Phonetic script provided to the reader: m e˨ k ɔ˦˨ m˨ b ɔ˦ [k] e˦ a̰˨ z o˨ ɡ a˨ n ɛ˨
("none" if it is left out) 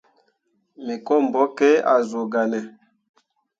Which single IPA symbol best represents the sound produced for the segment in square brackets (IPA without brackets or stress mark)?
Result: k